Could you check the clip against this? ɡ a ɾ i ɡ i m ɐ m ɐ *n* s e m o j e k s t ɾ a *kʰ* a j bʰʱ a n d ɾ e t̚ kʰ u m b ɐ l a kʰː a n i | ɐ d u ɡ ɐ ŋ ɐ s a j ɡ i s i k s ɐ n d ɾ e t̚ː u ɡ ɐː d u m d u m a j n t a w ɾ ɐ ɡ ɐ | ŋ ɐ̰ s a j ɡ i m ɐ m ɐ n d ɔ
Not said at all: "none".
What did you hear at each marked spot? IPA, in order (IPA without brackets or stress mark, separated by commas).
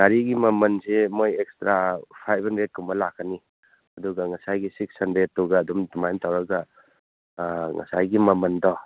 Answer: n, pʰ